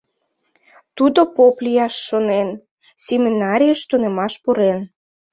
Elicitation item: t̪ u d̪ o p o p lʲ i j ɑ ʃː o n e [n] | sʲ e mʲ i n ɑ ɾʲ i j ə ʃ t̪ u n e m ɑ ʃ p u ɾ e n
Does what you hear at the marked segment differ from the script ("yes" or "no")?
no